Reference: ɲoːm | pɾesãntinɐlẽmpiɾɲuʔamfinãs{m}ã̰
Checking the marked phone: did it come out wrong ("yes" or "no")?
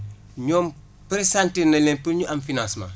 no